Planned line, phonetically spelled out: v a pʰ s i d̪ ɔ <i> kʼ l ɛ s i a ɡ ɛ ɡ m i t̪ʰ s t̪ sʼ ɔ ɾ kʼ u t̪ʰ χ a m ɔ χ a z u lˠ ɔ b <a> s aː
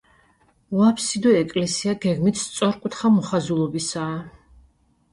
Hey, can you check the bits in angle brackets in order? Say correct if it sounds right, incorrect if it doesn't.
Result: incorrect: ɛ, incorrect: i

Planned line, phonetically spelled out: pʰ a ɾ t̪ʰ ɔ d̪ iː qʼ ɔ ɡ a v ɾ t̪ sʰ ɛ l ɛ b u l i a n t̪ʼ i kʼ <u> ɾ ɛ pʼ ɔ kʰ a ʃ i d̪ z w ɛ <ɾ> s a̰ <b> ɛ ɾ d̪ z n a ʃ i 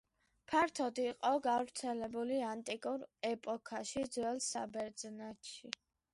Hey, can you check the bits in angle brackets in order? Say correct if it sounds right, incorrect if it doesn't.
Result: correct, incorrect: l, correct

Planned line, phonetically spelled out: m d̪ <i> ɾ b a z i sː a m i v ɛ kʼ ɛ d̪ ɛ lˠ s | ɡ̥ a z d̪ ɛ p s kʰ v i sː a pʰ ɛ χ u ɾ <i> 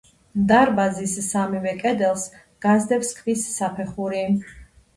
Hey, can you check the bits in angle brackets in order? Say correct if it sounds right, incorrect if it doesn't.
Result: incorrect: a, correct

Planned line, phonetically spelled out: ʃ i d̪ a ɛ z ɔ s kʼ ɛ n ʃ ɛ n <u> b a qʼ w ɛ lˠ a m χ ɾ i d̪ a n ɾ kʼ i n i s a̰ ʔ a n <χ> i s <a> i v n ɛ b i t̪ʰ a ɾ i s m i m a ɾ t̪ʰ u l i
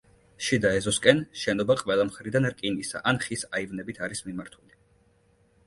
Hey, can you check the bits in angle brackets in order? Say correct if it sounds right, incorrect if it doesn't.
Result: incorrect: ɔ, correct, correct

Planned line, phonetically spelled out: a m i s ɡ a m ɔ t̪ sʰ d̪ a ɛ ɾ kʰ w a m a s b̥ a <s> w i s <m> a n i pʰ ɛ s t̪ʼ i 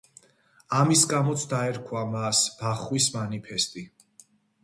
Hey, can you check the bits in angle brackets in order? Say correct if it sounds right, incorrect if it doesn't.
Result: incorrect: χ, correct

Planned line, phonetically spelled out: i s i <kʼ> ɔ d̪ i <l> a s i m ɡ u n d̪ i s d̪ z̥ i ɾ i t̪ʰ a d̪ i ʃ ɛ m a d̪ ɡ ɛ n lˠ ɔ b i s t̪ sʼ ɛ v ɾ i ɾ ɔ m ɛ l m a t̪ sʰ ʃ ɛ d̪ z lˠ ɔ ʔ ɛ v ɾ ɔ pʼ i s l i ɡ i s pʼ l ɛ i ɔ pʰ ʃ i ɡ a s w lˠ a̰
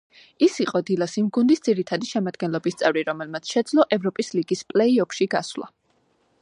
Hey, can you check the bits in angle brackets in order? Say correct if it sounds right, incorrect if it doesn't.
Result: incorrect: qʼ, correct

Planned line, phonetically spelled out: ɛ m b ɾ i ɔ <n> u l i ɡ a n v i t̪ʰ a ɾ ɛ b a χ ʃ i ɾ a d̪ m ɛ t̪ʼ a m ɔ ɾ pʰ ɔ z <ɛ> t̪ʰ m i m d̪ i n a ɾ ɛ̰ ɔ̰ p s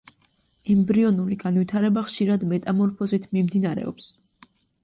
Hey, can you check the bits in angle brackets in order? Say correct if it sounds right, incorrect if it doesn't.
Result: correct, incorrect: i

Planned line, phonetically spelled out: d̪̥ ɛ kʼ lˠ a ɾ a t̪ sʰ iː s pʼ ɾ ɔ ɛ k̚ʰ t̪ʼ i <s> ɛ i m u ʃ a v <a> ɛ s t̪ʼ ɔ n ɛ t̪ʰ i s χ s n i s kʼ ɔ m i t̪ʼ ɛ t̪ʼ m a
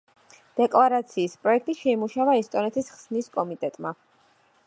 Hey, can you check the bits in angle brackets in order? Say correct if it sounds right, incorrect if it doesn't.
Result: incorrect: ʃ, correct

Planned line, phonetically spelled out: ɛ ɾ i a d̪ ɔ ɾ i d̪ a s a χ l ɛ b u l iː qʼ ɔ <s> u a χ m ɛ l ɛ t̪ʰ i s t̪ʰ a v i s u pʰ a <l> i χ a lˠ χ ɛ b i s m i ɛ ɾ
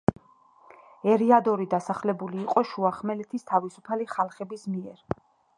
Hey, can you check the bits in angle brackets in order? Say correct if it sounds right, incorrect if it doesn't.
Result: incorrect: ʃ, correct

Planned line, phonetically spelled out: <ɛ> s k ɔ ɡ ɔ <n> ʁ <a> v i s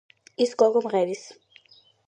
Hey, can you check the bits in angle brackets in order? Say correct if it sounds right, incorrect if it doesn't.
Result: incorrect: i, incorrect: m, incorrect: ɛ

